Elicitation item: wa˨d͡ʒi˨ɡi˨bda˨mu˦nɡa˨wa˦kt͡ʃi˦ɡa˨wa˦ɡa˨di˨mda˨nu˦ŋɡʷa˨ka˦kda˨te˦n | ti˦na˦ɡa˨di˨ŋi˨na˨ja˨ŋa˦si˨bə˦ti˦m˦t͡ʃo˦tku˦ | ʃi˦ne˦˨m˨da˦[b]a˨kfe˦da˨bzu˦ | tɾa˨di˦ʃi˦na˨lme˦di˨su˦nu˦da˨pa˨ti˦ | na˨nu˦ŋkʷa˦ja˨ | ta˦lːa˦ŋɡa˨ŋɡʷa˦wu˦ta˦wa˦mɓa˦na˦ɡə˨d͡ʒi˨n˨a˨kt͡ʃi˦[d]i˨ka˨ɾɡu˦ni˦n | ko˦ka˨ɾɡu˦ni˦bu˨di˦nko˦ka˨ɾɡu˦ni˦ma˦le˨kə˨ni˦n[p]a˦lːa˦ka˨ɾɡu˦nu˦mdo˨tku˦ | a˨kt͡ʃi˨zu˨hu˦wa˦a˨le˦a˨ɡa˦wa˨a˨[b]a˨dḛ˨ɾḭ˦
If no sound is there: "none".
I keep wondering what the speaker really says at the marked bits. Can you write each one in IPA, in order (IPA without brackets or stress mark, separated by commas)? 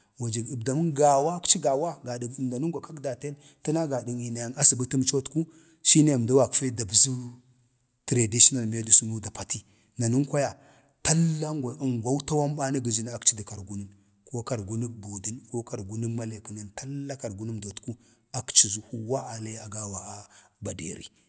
w, d, t, b